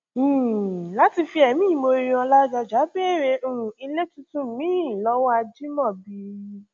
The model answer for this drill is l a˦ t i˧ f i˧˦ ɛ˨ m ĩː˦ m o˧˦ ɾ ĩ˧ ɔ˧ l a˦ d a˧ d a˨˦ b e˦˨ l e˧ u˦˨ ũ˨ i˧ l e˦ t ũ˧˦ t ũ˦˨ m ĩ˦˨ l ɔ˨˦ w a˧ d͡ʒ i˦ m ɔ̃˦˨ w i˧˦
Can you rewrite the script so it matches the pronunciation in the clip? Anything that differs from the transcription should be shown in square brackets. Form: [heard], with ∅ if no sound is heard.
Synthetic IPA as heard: l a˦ t i˧ f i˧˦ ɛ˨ m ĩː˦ m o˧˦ ɾ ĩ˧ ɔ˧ l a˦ [d͡ʒ] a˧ [d͡ʒ] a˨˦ b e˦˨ [ɾ] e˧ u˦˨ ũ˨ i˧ l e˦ t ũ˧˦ t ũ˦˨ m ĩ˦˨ l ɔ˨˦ w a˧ d͡ʒ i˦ m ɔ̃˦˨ [b] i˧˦